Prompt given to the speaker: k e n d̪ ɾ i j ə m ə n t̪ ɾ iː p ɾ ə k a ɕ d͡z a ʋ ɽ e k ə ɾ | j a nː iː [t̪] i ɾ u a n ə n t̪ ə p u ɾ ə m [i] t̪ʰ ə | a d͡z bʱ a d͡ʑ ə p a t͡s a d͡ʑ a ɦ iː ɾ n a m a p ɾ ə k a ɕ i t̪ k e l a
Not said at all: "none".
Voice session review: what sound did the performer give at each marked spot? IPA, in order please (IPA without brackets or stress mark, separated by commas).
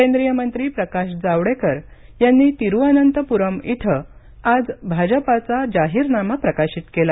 t̪, i